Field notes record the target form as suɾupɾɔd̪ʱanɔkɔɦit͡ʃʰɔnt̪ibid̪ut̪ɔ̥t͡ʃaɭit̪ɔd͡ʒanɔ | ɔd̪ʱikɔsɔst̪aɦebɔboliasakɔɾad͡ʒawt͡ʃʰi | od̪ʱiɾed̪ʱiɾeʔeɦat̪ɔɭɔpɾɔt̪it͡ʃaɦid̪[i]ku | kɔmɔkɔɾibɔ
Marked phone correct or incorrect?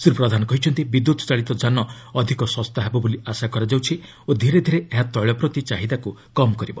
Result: incorrect